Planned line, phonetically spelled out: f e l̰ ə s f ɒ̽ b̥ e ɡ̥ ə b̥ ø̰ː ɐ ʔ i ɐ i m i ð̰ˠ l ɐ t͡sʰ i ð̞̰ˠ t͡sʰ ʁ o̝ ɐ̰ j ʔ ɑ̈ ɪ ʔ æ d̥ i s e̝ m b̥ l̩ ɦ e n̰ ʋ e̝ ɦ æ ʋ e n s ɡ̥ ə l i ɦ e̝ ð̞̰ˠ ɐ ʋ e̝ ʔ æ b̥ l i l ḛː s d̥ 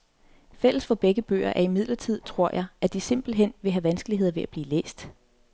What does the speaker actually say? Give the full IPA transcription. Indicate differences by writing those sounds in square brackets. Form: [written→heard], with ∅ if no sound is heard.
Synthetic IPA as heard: f e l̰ ə s f ɒ̽ b̥ e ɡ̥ ə b̥ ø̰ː ɐ ʔ [i→æ] ɐ i m i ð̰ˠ l ɐ t͡sʰ i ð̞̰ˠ t͡sʰ ʁ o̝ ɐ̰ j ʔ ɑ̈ ɪ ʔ æ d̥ i s e̝ m b̥ l̩ ɦ e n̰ ʋ e̝ ɦ æ ʋ [e→æ] n s ɡ̥ ə l i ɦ e̝ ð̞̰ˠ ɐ ʋ e̝ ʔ æ b̥ l [i→iː] l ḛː s d̥

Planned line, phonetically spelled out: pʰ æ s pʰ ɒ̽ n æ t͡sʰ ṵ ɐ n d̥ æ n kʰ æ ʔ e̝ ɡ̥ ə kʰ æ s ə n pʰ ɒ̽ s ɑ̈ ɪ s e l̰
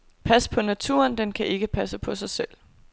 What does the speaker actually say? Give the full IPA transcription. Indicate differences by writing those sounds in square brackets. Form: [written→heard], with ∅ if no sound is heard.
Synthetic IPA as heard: pʰ æ s pʰ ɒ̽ n æ t͡sʰ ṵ ɐ n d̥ [æ→e] n kʰ æ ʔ e̝ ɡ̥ ə [kʰ→pʰ] æ s ə [n→∅] pʰ ɒ̽ s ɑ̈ ɪ s e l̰

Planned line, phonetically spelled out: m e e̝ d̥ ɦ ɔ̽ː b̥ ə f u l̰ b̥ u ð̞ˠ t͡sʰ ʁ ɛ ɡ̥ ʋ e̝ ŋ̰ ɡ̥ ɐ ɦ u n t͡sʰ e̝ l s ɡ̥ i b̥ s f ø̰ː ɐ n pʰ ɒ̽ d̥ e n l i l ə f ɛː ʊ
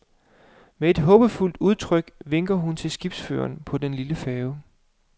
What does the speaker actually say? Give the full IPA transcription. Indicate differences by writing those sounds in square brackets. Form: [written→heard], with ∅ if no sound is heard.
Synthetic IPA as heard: m e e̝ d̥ ɦ ɔ̽ː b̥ ə f u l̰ [b̥→d̥] u ð̞ˠ t͡sʰ ʁ [ɛ→œ] ɡ̥ ʋ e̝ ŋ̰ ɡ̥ ɐ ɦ u n t͡sʰ e̝ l s ɡ̥ i b̥ s f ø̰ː ɐ n pʰ ɒ̽ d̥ e n l i l ə f ɛː ʊ

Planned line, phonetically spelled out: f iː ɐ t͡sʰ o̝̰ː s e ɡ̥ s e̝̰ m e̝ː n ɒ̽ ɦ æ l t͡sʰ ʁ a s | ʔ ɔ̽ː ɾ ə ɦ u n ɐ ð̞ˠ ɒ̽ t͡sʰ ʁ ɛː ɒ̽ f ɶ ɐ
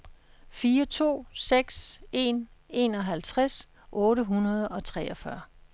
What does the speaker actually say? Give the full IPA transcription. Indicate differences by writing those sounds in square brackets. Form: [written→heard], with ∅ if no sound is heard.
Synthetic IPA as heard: f iː ɐ t͡sʰ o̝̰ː s e ɡ̥ s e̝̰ [m→n] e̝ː n ɒ̽ ɦ æ l t͡sʰ ʁ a s | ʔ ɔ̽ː ɾ ə ɦ u n ɐ ð̞ˠ ɒ̽ t͡sʰ ʁ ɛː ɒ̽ f ɶ ɐ

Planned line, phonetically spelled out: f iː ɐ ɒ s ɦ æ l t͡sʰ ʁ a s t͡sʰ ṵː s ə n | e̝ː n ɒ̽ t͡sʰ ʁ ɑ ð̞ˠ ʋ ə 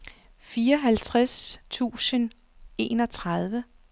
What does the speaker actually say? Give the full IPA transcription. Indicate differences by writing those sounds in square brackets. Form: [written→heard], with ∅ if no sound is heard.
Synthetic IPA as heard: f iː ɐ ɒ [s→∅] ɦ æ l t͡sʰ ʁ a s t͡sʰ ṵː s ə n | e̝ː n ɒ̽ t͡sʰ ʁ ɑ ð̞ˠ ʋ ə

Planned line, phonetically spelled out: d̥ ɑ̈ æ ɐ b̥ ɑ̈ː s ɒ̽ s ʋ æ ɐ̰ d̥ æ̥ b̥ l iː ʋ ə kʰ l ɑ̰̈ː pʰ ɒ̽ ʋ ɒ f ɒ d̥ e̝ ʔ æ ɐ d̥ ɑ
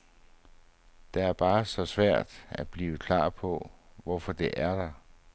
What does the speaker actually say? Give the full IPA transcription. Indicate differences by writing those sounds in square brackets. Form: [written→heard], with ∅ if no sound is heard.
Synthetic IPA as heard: d̥ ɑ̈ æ ɐ b̥ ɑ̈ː s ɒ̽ s ʋ æ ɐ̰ d̥ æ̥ b̥ l iː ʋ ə kʰ l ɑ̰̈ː pʰ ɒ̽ ʋ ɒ f ɒ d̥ e̝ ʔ æ ɐ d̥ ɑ

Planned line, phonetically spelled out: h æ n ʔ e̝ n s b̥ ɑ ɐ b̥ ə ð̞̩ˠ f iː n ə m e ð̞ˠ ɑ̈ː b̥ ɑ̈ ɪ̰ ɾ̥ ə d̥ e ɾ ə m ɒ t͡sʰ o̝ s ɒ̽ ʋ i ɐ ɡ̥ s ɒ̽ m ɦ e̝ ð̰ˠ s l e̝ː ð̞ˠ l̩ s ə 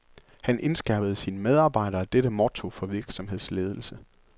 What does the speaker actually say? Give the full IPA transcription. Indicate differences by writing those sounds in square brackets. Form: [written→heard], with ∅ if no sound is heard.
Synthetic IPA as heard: h æ n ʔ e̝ n s [b̥→ɡ̥] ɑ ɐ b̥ ə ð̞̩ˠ [f→s] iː n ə m e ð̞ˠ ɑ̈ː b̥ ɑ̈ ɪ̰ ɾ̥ [ə→ɐ] d̥ e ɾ ə m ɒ t͡sʰ o̝ [s→f] ɒ̽ ʋ i ɐ ɡ̥ s ɒ̽ m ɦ e̝ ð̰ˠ s l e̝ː ð̞ˠ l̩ s ə

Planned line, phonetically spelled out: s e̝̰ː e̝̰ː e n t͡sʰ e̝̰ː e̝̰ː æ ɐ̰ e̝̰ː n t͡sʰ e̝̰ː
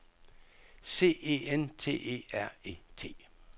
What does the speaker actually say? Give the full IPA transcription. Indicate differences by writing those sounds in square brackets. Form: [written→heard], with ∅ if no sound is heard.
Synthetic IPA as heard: s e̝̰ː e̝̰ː e n t͡sʰ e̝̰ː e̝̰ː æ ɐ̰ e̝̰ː [n→∅] t͡sʰ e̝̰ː

